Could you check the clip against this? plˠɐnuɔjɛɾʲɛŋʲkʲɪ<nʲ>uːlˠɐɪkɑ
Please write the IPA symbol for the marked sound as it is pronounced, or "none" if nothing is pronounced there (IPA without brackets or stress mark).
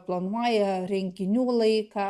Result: nʲ